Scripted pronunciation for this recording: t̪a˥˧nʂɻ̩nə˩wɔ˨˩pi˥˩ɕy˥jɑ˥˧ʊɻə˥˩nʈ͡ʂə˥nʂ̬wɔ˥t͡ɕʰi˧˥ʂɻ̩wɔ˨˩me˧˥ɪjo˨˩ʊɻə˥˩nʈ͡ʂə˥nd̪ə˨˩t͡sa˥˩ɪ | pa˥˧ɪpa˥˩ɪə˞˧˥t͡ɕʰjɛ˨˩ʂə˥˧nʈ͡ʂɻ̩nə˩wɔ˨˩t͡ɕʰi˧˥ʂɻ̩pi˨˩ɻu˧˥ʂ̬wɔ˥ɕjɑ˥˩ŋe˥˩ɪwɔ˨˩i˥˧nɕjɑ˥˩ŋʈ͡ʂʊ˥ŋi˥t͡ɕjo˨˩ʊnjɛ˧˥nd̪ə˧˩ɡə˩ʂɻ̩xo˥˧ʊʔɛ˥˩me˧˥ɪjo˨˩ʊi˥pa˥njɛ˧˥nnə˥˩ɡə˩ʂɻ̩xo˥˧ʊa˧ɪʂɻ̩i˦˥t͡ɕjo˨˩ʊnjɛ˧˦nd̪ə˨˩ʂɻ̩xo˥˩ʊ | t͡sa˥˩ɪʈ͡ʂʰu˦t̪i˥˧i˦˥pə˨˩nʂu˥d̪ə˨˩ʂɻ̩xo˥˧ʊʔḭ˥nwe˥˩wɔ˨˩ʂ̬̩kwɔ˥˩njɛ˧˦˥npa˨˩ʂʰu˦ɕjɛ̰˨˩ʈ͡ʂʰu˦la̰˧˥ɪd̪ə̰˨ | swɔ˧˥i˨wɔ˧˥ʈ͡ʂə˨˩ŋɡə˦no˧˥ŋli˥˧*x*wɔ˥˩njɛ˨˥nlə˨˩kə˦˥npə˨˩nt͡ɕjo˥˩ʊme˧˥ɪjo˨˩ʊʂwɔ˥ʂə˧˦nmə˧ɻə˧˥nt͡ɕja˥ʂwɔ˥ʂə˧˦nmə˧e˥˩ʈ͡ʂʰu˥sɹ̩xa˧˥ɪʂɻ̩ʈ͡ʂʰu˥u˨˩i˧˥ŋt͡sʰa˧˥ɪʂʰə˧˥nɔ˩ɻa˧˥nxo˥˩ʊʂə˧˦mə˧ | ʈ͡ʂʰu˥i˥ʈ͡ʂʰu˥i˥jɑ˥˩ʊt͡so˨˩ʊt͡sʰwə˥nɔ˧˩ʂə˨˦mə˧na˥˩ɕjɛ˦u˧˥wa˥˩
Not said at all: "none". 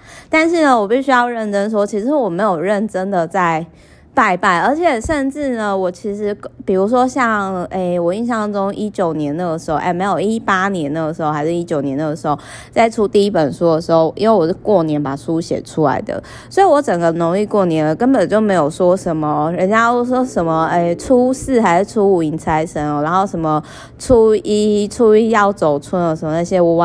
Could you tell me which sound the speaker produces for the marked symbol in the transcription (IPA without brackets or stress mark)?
k